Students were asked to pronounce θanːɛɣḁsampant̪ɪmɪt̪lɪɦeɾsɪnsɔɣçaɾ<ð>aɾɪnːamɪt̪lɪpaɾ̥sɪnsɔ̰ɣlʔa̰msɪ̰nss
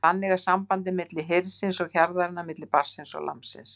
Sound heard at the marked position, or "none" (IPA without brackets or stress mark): ð